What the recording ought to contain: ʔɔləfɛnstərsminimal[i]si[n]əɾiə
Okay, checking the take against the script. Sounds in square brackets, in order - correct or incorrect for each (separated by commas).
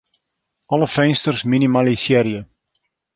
correct, incorrect